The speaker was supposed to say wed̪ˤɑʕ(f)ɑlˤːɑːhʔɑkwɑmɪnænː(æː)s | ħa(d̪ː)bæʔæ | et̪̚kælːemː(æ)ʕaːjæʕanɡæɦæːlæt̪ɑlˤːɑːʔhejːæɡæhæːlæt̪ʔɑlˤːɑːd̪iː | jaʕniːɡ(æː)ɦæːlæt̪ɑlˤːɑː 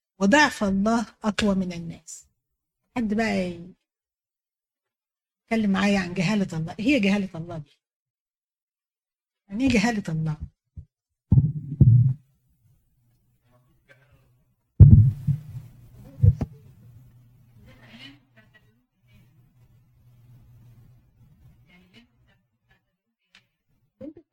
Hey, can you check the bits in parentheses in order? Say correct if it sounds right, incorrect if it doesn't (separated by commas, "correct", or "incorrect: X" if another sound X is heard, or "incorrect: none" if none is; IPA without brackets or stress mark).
correct, correct, correct, incorrect: a, incorrect: æ